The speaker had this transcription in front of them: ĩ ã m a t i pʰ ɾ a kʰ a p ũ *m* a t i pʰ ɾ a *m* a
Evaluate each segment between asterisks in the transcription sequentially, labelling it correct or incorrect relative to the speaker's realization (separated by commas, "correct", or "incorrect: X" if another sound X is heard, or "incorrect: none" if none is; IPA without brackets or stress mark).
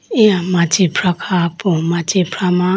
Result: correct, correct